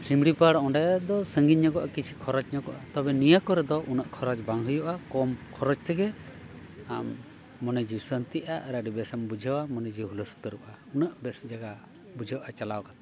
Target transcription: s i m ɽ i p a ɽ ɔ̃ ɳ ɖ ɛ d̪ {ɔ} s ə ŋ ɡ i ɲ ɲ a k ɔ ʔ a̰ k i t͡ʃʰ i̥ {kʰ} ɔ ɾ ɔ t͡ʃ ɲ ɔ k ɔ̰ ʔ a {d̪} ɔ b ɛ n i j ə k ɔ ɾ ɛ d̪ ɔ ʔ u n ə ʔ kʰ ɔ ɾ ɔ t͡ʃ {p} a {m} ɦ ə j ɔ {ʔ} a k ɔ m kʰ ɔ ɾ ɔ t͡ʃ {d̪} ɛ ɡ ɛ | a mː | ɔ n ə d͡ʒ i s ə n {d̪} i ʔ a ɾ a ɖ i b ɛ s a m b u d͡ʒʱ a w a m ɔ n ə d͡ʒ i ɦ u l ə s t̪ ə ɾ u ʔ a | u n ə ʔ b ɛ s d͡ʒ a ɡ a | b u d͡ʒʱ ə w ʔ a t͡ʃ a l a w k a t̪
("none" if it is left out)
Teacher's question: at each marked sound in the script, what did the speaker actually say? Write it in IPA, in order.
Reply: ɔ, kʰ, t̪, b, ŋ, ʔ, t̪, t̪

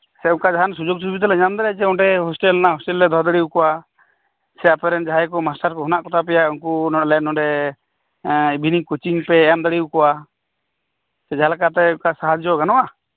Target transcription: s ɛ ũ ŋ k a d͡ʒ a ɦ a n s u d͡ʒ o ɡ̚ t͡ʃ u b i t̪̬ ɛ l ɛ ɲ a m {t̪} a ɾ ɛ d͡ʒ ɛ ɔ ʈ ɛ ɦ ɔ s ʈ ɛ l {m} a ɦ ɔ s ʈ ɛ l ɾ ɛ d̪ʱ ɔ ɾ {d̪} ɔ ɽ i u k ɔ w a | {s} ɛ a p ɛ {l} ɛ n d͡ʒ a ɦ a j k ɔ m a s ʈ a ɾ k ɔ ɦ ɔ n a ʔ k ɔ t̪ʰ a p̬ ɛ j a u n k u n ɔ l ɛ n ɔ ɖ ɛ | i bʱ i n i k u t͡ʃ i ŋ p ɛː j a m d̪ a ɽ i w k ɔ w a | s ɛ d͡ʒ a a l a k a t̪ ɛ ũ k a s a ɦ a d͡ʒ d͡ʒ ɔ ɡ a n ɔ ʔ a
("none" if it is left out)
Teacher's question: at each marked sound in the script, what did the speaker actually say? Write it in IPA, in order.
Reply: d̪, n, d̪, s, ɾ

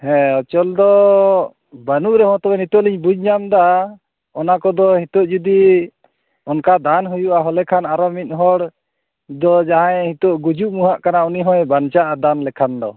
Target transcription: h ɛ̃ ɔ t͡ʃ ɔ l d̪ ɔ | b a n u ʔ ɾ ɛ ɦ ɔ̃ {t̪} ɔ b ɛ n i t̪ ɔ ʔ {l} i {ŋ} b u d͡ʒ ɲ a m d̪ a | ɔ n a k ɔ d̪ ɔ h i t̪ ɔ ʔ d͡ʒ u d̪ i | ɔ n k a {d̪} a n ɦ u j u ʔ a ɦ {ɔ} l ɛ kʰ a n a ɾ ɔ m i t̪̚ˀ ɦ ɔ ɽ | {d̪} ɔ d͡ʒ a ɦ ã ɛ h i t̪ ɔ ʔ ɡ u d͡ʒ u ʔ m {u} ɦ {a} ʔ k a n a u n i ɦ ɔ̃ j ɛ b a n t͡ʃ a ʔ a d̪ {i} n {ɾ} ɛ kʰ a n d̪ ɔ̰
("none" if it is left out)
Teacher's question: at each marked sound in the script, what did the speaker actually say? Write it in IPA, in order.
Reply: t̪, l, ɲ, d̪, ɔ, d̪, u, a, a, l

